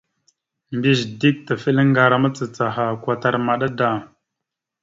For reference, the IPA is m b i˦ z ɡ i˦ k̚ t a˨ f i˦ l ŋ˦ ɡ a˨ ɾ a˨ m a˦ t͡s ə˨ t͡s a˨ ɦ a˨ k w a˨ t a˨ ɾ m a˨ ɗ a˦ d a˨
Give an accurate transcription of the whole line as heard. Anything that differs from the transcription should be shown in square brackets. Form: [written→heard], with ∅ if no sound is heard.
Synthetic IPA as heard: m b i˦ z [ɡ→d] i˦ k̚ t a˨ f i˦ l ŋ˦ ɡ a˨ ɾ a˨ m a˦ t͡s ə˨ t͡s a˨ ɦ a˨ k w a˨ t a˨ ɾ m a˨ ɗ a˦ d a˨

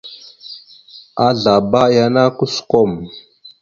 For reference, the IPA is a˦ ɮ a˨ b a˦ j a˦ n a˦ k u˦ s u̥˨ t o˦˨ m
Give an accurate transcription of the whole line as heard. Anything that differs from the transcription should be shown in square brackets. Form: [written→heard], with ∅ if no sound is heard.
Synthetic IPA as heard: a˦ ɮ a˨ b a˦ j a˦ n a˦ k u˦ s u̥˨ [t→k] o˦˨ m

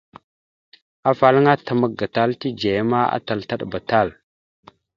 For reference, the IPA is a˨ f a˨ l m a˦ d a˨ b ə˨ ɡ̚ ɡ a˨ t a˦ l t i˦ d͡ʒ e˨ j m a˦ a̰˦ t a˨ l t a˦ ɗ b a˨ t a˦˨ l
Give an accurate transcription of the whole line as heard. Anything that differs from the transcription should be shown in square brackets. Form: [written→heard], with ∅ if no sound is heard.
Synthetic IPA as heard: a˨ f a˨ l [m→ŋ] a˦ [d→t] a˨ [b→m] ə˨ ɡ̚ ɡ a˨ t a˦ l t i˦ d͡ʒ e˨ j m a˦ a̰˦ t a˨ l t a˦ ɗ b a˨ t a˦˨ l

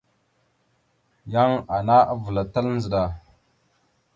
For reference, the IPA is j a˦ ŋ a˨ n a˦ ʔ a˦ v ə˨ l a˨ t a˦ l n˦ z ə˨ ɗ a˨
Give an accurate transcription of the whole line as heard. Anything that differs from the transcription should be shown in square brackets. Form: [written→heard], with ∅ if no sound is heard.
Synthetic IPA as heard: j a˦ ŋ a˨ n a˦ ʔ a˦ v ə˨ l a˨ t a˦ l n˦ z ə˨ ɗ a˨

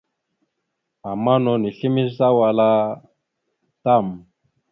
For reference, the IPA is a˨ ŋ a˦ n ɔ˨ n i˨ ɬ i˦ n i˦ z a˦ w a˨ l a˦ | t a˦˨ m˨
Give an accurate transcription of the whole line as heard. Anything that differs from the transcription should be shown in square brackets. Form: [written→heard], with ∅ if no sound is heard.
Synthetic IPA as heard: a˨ [ŋ→m] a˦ n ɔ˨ n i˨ ɬ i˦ [n→m] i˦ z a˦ w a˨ l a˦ | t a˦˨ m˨

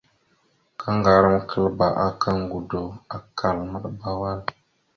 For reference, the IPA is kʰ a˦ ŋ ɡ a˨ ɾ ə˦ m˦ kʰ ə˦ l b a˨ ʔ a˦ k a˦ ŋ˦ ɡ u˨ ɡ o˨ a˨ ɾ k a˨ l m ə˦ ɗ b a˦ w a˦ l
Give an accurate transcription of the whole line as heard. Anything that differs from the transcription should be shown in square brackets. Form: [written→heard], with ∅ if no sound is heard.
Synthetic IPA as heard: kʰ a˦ ŋ ɡ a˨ ɾ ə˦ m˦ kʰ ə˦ l b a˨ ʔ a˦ k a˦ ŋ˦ ɡ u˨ [ɡ→d] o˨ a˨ [ɾ→∅] k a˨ l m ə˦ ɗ b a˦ w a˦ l

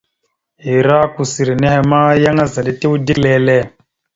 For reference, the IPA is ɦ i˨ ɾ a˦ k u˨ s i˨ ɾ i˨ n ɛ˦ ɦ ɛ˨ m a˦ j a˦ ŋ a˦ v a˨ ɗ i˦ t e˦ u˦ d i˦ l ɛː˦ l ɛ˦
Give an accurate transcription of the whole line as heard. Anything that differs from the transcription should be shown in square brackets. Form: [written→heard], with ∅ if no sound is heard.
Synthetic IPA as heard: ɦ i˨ ɾ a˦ k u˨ s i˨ ɾ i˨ n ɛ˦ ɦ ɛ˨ m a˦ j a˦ ŋ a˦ [v→z] a˨ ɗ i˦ t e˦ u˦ d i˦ l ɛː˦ l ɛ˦

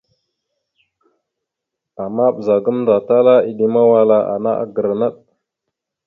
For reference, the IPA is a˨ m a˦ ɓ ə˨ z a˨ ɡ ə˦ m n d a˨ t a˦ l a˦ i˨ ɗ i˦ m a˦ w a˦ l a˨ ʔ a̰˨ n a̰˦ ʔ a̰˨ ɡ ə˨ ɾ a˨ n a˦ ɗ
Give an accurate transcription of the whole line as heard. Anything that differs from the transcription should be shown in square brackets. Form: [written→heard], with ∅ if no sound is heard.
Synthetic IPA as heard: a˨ m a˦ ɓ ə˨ z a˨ ɡ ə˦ m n d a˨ t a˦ l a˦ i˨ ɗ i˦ m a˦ w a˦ l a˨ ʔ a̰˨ n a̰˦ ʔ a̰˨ ɡ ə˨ ɾ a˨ n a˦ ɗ

